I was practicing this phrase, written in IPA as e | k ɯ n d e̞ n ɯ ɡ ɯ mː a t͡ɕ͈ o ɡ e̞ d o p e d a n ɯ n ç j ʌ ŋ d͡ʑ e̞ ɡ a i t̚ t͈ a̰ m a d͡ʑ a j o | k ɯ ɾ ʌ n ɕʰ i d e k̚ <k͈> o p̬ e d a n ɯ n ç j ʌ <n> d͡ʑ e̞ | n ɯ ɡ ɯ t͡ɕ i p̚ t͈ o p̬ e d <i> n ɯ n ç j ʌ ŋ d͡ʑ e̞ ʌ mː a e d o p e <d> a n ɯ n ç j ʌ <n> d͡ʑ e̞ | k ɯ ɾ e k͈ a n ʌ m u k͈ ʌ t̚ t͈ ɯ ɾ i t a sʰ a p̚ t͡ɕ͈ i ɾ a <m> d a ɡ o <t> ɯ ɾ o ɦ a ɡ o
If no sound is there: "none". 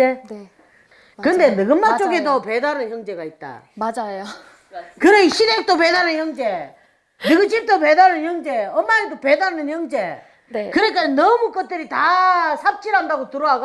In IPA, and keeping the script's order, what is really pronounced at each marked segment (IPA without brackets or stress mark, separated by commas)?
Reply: t͈, ŋ, a, d, ŋ, n, t